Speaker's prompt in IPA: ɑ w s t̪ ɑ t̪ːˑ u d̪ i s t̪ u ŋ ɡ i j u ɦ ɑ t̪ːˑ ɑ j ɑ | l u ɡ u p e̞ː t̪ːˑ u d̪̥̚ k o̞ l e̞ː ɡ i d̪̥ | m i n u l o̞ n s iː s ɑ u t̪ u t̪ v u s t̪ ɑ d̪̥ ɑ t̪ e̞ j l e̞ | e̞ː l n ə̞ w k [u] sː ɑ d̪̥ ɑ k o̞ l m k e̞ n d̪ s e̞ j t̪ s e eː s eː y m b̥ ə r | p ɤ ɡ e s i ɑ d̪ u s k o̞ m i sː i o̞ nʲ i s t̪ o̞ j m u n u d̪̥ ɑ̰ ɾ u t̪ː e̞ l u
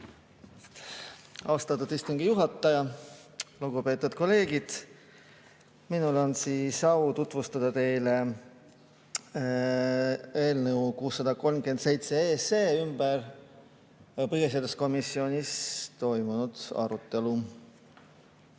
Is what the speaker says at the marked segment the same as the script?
no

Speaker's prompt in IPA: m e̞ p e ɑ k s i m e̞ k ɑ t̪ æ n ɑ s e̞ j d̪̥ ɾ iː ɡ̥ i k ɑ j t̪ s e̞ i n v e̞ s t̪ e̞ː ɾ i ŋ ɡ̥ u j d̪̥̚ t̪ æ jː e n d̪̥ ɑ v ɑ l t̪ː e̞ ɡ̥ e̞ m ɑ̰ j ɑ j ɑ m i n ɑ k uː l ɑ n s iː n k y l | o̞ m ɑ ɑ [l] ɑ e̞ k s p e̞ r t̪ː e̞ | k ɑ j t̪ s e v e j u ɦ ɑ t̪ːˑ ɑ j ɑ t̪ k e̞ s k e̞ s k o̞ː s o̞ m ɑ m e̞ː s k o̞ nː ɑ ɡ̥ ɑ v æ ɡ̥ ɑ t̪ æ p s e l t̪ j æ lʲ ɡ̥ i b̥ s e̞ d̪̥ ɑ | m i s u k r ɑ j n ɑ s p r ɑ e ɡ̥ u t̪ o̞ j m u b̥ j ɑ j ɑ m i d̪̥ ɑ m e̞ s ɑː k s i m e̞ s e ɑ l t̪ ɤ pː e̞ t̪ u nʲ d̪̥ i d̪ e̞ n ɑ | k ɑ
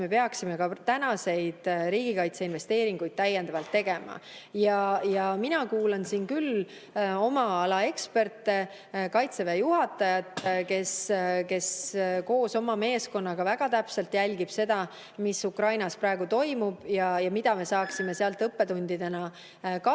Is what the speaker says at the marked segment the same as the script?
yes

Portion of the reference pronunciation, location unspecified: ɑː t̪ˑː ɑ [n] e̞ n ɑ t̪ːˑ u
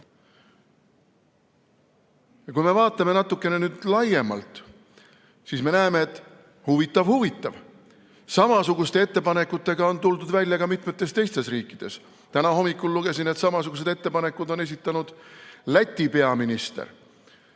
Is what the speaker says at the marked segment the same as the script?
no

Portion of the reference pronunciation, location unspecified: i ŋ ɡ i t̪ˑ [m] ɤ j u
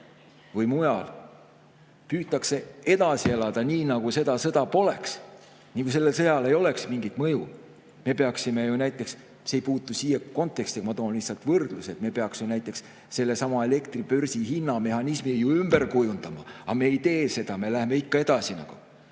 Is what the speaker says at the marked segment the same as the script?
yes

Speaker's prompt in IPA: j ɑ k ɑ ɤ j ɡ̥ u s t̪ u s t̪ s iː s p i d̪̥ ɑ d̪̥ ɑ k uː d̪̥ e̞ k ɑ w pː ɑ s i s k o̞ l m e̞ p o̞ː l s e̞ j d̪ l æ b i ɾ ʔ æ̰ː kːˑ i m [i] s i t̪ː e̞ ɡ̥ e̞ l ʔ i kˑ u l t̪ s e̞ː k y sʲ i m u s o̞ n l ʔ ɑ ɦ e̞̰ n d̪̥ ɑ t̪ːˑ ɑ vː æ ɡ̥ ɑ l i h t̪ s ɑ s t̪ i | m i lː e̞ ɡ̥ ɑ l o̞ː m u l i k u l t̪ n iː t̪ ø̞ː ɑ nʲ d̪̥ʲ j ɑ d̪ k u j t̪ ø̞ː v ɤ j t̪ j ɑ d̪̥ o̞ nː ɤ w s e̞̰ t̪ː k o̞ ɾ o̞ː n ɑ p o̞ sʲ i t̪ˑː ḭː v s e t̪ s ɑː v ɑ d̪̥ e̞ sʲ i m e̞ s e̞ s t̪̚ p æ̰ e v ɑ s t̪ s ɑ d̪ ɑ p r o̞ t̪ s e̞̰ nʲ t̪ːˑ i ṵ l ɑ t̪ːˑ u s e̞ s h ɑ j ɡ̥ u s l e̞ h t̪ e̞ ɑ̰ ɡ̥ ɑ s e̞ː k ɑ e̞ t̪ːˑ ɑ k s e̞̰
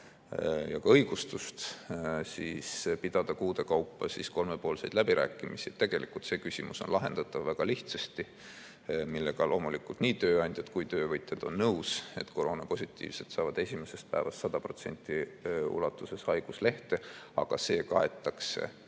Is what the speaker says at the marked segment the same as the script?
yes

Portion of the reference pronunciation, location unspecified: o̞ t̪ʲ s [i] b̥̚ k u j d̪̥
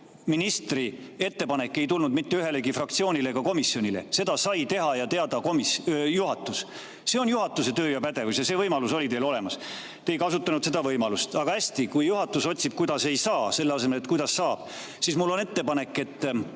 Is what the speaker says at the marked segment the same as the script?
yes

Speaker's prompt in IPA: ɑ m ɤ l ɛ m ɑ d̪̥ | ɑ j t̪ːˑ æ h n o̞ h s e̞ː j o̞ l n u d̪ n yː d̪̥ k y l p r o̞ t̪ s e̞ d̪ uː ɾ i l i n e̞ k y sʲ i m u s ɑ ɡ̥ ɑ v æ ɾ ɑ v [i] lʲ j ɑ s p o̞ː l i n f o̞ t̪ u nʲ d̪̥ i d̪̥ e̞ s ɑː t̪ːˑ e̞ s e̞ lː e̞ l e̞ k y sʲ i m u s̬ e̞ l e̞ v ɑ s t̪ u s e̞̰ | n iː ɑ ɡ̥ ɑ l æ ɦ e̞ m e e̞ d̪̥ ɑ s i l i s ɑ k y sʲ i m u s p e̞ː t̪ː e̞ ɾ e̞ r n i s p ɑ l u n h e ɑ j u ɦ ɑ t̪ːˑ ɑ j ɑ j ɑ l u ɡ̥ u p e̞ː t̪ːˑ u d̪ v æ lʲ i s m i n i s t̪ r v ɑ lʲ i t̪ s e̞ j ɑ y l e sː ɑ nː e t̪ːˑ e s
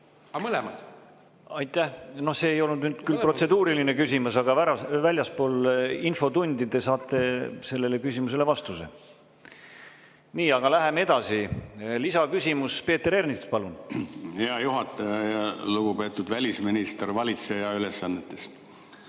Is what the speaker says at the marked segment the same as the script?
no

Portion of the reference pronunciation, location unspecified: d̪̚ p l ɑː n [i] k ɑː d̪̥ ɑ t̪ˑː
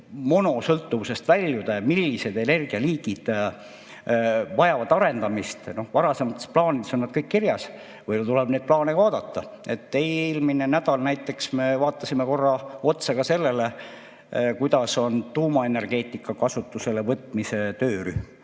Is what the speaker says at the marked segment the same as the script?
no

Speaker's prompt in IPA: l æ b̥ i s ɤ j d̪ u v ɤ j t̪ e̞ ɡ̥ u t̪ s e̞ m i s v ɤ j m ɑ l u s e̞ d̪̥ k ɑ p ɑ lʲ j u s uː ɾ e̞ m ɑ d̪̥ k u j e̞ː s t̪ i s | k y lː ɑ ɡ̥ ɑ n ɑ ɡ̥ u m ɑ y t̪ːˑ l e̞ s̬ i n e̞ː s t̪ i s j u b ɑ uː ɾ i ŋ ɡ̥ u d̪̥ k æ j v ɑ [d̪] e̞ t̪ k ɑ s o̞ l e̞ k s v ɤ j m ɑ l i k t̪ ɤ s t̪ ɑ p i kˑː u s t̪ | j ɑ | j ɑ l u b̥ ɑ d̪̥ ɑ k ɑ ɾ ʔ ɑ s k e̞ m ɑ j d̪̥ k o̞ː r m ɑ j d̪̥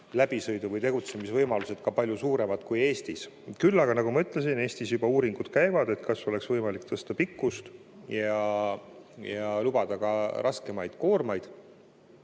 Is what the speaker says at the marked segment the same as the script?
yes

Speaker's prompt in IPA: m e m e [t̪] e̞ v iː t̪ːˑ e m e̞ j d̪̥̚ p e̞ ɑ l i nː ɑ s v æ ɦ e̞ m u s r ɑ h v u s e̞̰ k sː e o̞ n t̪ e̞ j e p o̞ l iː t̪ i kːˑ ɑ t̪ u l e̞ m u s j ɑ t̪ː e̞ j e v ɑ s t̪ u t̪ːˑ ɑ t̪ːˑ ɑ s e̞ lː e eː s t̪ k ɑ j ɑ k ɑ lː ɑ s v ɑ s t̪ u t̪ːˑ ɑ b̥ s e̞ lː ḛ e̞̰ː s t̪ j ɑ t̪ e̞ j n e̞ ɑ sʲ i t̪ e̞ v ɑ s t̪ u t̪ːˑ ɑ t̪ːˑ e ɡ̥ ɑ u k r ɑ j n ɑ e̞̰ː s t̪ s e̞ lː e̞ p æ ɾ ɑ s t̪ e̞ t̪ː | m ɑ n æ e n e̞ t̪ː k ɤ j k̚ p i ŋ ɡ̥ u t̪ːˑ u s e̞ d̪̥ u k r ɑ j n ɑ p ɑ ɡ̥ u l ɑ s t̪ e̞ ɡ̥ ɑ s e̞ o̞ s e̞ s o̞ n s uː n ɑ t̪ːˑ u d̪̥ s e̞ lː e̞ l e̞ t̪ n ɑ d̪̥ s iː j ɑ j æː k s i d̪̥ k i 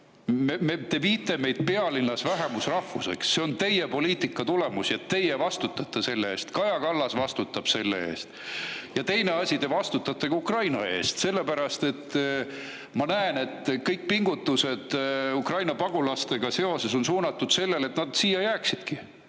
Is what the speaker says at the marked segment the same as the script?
yes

